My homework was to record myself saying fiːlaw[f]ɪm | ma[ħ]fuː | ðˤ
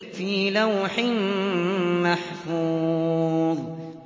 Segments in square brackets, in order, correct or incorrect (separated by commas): incorrect, correct